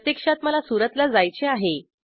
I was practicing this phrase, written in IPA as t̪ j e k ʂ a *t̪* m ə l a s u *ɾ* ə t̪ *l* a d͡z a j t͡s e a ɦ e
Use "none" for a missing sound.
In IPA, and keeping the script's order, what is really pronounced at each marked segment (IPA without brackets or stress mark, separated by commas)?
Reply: t̪, ɾ, l